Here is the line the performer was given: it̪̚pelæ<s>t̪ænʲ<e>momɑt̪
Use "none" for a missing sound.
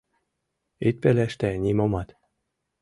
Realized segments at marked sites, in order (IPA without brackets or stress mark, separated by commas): ʃ, i